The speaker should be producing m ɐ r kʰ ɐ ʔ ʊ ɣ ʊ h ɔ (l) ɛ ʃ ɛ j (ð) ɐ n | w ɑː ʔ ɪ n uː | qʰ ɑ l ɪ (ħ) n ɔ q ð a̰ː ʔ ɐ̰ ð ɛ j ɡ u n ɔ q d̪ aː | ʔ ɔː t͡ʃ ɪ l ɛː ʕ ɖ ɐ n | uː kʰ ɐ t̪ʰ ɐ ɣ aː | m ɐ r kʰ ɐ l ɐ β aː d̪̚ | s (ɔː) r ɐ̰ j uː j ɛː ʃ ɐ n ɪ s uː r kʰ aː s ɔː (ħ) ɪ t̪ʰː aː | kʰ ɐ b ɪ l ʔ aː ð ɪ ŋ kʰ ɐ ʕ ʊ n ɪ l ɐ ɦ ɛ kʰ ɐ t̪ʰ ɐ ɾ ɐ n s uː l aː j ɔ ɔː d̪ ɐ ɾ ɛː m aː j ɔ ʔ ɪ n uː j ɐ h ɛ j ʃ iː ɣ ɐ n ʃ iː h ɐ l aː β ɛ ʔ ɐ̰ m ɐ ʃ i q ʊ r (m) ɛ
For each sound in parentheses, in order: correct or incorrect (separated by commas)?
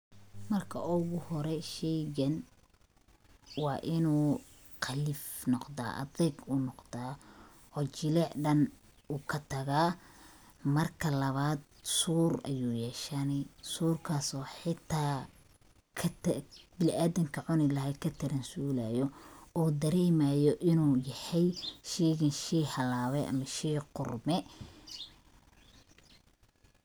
incorrect, incorrect, incorrect, incorrect, correct, correct